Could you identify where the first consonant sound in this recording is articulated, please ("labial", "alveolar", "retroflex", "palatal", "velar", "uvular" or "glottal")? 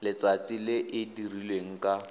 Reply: alveolar